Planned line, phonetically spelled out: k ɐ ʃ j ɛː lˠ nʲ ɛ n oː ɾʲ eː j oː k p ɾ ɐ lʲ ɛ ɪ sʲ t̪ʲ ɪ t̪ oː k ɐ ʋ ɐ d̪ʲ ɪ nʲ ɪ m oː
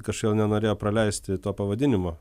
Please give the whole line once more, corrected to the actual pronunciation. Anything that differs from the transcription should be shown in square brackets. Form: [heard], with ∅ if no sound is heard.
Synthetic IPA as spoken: k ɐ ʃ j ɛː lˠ nʲ ɛ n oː ɾʲ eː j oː [∅] p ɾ ɐ lʲ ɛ ɪ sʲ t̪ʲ ɪ t̪ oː [p] ɐ ʋ ɐ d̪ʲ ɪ nʲ ɪ m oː